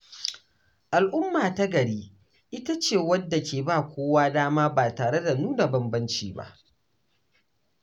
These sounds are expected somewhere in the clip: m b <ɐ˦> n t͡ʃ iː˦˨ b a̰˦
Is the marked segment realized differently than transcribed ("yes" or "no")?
no